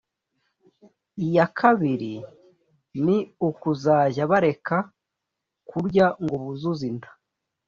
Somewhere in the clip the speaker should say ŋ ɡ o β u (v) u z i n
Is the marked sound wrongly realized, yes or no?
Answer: yes